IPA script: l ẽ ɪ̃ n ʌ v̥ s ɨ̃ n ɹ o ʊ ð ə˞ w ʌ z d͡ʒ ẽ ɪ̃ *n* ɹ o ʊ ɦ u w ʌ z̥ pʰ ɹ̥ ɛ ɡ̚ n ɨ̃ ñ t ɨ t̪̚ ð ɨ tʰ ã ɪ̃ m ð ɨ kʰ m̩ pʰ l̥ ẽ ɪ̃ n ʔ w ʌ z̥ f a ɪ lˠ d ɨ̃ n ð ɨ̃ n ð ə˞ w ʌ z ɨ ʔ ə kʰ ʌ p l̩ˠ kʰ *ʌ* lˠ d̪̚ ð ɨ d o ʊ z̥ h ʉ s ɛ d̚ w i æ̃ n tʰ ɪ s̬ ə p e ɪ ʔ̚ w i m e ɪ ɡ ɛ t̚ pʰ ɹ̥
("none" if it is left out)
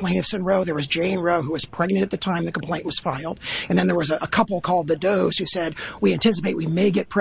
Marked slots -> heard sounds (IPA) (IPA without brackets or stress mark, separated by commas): n, ɔ